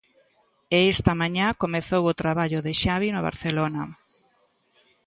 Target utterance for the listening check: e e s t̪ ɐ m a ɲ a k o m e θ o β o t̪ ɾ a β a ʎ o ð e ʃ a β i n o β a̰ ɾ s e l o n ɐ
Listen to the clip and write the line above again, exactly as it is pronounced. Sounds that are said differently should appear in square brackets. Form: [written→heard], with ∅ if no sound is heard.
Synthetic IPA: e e s t̪ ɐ m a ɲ a k o m e θ o [β→w] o t̪ ɾ a β a ʎ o ð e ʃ a β i n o β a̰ ɾ [s→θ] e l o n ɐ